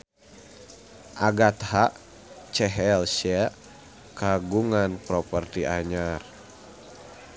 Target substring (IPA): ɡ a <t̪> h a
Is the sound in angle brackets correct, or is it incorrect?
correct